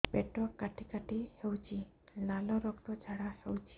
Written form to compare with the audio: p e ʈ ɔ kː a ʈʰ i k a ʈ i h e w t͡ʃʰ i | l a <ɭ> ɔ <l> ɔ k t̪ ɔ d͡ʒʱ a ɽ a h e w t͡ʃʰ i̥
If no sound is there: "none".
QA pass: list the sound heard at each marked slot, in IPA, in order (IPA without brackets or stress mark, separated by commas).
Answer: l, ɾ